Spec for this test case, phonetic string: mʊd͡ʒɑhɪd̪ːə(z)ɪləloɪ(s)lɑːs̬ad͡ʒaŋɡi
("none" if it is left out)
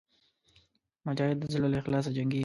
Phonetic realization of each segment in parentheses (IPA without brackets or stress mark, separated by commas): z, x